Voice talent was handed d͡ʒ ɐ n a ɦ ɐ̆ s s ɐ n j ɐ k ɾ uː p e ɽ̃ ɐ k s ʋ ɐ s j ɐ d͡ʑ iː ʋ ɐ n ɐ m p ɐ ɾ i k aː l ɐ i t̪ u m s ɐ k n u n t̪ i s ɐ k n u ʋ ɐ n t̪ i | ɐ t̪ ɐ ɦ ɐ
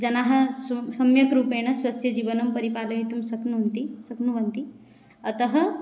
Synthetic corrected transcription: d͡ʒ ɐ n a ɦ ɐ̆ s s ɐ m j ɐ k ɾ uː p e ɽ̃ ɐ s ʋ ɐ s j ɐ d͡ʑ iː ʋ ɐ n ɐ m p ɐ ɾ i p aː l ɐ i t̪ u m s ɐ k n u n t̪ i s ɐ k n u ʋ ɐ n t̪ i | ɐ t̪ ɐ ɦ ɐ